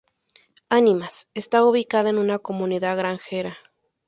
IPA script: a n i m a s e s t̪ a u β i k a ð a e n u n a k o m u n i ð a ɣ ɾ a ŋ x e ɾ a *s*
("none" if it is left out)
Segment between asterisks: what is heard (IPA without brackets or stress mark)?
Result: none